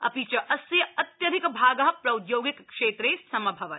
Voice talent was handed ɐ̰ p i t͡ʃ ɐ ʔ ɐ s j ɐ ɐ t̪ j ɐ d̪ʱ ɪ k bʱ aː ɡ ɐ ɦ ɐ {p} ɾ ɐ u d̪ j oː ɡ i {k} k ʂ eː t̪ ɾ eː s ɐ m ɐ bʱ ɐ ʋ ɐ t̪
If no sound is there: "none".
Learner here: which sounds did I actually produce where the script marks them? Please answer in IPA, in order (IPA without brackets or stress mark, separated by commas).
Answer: p, k